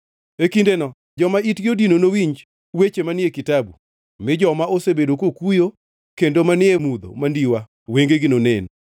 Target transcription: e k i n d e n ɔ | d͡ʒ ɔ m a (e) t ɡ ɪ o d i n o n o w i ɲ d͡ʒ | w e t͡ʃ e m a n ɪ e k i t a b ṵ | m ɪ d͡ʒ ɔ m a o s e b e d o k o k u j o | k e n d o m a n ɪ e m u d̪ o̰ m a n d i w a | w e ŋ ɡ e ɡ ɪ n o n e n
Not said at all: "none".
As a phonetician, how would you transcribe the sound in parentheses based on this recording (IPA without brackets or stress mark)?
i